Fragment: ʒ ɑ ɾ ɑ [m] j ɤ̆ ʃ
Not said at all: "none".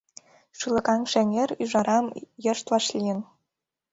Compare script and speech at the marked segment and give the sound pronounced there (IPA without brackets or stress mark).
m